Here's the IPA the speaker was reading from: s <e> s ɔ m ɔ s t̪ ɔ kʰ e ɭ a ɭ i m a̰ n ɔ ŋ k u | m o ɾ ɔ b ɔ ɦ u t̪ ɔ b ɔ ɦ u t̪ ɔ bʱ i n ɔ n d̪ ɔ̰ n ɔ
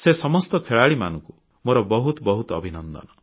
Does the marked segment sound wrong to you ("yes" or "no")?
no